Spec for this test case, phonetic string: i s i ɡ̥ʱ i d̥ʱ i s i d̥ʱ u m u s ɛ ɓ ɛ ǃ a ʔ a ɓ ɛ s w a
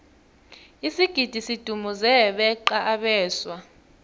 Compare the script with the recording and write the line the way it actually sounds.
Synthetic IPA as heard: i s i ɡ̥ʱ i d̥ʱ i s i d̥ʱ u m u z ɛ ɓ ɛ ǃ a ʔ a ɓ ɛː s w a